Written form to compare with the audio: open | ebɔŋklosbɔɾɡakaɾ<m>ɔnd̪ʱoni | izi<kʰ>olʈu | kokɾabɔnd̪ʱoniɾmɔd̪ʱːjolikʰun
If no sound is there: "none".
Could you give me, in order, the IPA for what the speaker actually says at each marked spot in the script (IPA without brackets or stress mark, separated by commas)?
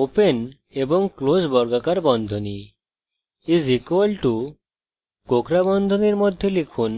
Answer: b, k